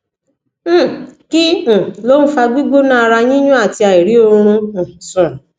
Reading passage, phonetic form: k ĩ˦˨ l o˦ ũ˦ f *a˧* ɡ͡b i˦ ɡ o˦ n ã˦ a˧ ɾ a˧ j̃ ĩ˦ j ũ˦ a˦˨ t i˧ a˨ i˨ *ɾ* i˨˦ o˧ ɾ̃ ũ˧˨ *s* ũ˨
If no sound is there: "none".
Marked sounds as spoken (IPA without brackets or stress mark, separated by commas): a˧, ɾ, s